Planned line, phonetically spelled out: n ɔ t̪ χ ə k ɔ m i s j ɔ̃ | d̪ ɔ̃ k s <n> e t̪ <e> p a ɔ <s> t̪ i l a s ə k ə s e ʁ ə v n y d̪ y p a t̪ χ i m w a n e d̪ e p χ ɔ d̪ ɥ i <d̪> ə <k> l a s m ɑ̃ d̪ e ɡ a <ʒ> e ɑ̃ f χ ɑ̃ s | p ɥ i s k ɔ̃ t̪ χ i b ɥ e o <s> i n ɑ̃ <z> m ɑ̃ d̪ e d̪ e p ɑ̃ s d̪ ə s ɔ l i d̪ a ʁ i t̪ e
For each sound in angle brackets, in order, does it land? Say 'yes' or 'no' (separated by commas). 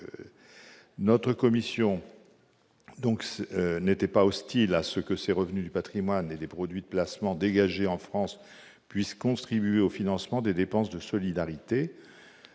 yes, no, yes, yes, no, yes, no, no